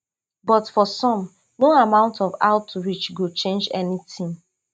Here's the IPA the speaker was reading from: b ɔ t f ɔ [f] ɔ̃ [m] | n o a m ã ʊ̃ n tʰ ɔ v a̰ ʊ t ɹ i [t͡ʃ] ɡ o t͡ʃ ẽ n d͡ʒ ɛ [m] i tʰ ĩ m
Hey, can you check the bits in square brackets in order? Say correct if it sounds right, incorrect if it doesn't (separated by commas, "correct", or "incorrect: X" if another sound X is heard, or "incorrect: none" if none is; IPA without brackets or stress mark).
incorrect: s, correct, correct, incorrect: n